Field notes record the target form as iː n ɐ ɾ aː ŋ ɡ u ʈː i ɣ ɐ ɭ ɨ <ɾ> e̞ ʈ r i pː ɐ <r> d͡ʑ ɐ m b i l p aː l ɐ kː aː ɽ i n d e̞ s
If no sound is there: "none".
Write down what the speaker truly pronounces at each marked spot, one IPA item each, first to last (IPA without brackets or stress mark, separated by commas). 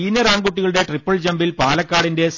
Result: ɽ, ɭ